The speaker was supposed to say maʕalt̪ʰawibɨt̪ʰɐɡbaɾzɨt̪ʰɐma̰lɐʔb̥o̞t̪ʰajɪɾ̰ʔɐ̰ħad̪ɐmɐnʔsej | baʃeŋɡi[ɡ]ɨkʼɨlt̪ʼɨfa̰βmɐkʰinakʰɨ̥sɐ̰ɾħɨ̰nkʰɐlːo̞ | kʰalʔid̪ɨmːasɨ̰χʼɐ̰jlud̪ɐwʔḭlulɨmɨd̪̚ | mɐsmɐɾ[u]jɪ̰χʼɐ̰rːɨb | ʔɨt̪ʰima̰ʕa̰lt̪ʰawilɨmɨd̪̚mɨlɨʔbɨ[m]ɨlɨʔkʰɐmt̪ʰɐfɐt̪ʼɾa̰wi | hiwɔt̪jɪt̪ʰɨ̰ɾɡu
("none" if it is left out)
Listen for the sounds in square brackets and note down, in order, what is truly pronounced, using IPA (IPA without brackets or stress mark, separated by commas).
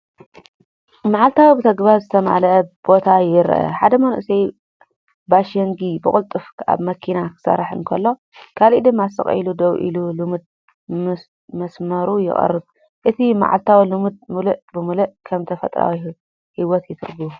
b, u, m